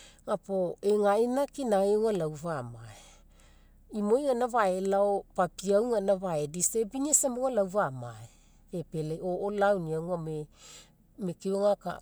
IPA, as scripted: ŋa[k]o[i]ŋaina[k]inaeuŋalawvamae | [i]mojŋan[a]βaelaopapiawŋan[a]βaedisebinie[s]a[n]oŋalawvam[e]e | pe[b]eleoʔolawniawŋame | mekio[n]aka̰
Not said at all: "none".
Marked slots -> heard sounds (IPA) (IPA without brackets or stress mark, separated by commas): p, e, k, i, a, a, s, m, a, p, ŋ